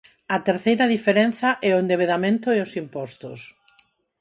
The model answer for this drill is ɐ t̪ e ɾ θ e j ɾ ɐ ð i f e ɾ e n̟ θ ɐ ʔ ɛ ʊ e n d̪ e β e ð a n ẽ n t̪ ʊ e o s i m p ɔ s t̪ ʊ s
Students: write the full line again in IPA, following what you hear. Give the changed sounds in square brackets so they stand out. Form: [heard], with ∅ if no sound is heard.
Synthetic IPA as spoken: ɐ t̪ e ɾ θ e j ɾ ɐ ð i f e ɾ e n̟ θ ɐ ʔ ɛ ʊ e n d̪ e β e ð a [m] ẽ n t̪ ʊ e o s i m p ɔ s t̪ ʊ s